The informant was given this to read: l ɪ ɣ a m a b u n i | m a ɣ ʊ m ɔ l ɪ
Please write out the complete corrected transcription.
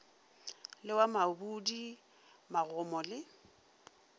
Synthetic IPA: l ɪ w a m a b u d i | m a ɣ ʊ m ɔ l ɪ